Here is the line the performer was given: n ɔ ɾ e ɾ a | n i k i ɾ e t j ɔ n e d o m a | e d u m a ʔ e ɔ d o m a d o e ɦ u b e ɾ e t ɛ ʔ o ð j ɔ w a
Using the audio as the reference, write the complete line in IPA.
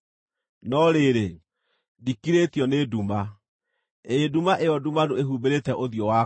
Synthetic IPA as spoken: n ɔ ɾ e ɾ e | d i k i ɾ e t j ɔ n e d u m a | e d u m a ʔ e ɔ d u m a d o e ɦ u b e ɾ e t ɛ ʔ o ð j ɔ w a